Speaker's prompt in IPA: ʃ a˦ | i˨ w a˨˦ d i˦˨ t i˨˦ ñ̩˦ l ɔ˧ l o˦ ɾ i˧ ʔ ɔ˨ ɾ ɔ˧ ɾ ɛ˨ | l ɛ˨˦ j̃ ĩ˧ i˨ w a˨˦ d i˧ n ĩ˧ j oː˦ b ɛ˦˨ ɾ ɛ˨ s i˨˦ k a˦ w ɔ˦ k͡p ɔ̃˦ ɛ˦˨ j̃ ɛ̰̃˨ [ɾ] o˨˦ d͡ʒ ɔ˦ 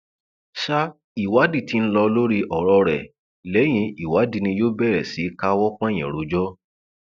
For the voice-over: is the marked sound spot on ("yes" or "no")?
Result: yes